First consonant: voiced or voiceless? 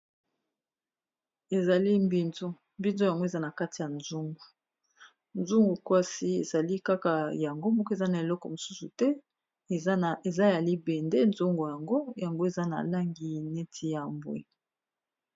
voiced